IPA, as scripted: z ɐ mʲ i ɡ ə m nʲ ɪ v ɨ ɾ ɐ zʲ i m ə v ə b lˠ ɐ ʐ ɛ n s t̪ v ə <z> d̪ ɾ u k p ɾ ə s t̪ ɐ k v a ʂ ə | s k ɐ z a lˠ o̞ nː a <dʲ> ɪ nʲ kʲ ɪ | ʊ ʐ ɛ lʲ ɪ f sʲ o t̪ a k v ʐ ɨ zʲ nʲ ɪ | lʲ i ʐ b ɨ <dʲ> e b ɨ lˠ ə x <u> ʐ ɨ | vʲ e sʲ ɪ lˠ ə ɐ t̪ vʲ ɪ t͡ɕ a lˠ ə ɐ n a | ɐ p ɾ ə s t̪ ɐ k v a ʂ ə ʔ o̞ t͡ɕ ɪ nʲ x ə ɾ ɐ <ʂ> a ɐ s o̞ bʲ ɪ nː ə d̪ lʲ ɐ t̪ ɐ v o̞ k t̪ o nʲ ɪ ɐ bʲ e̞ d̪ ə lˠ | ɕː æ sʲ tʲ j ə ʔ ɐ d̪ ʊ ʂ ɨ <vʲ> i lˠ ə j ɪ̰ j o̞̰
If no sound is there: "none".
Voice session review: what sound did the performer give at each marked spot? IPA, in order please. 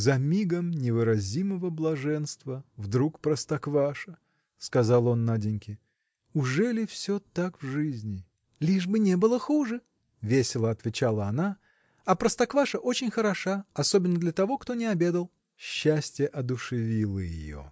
v, dʲ, nʲ, u, ʂ, vʲ

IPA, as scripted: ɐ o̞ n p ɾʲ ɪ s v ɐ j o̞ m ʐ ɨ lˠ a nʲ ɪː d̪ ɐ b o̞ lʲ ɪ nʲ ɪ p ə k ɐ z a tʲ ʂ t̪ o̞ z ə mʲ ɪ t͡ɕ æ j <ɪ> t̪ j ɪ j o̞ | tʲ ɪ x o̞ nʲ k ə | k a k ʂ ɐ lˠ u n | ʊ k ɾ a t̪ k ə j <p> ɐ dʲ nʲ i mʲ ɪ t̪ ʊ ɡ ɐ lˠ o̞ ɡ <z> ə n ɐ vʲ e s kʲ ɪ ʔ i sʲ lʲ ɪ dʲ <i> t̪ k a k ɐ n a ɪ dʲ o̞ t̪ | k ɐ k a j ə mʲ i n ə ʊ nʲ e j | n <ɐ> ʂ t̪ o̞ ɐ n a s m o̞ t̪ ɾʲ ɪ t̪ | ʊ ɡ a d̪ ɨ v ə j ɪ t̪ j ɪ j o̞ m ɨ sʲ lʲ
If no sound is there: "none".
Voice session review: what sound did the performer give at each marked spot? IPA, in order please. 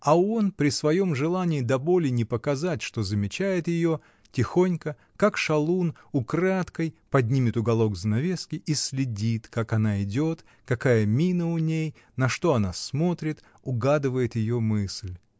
ɪ, p, z, i, ɐ

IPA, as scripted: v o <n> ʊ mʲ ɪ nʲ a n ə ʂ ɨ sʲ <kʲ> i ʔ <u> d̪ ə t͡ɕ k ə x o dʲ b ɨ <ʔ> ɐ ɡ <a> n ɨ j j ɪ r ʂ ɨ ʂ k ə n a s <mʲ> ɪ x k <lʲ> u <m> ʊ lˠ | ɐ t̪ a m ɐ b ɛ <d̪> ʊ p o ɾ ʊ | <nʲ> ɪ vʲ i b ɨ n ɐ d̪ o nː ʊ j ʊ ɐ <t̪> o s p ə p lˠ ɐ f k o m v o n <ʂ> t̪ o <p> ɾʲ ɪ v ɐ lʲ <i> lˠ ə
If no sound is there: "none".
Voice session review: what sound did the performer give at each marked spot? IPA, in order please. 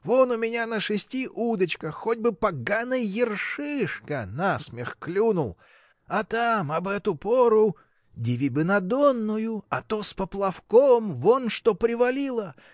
n, tʲ, u, p, a, mʲ, lʲ, n, t̪, dʲ, t̪, ʂ, p, i

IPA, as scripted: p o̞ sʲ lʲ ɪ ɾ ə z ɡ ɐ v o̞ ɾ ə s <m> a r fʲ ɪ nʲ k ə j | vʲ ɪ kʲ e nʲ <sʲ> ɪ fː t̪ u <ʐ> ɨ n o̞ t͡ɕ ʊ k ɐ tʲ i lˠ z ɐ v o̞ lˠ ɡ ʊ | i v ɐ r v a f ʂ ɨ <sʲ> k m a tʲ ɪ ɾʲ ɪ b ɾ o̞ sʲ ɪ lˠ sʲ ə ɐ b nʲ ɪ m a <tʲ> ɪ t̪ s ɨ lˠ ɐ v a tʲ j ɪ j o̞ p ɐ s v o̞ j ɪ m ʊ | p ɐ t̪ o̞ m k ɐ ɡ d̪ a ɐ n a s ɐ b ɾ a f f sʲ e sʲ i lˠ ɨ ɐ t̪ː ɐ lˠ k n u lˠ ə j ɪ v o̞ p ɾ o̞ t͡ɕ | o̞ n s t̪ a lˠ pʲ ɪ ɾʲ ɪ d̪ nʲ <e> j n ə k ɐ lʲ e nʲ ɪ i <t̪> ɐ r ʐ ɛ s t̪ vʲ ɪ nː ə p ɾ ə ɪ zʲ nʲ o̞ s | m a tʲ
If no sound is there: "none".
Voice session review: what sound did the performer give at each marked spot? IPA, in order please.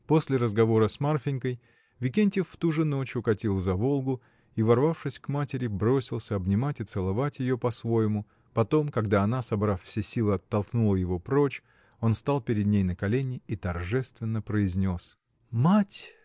m, tʲ, ʐ, sʲ, tʲ, e, t̪

